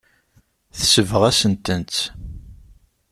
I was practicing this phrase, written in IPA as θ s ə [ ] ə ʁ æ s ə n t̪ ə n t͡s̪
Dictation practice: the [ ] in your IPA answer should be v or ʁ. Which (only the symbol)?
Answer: v